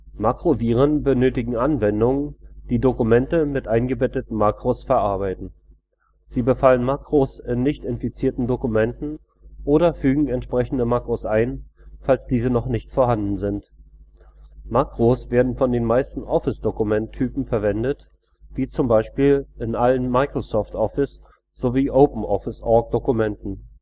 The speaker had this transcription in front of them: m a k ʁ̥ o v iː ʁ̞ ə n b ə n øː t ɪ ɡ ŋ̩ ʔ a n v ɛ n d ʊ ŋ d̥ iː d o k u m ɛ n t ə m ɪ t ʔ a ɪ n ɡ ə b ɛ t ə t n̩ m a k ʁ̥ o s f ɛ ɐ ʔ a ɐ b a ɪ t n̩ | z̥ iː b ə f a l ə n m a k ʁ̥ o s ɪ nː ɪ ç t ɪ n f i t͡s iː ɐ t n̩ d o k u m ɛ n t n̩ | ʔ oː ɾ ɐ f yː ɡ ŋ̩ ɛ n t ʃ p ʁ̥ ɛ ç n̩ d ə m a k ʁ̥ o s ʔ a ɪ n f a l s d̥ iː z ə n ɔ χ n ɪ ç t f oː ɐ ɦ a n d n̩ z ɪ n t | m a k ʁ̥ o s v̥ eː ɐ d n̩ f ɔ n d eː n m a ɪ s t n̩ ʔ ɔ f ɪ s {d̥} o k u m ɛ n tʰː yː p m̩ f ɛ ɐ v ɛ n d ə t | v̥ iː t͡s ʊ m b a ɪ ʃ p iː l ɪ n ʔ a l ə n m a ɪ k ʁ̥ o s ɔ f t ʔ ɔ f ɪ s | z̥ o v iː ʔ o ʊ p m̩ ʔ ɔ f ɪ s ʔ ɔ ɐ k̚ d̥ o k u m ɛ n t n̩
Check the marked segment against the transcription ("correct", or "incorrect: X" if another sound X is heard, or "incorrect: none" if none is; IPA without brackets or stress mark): correct